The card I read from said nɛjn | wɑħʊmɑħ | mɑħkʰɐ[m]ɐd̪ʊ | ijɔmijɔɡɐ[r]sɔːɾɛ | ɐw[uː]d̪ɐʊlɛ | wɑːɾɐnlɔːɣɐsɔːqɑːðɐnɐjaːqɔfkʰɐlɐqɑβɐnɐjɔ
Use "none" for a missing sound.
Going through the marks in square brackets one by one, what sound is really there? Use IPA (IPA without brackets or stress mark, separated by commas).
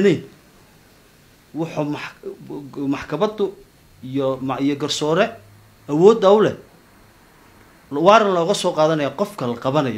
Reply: m, r, ɔː